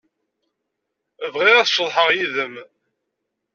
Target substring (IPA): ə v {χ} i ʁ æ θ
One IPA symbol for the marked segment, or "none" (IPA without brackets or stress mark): ʁ